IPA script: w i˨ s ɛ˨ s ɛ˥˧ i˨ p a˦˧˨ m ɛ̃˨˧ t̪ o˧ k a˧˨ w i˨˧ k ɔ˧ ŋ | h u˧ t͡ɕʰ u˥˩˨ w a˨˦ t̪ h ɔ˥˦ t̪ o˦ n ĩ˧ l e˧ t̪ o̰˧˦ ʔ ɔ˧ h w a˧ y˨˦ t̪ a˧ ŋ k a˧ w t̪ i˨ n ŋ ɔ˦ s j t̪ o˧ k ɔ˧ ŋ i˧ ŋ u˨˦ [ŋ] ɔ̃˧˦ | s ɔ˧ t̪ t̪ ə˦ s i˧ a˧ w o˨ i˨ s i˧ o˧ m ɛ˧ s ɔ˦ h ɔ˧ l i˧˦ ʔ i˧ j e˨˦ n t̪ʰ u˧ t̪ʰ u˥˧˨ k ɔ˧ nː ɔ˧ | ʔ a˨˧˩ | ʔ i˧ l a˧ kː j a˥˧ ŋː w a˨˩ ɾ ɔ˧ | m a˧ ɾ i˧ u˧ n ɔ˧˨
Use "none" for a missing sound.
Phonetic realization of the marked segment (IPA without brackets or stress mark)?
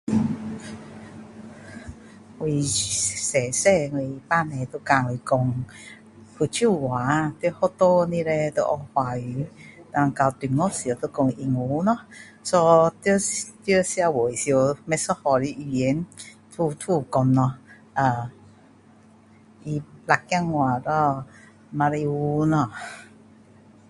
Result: n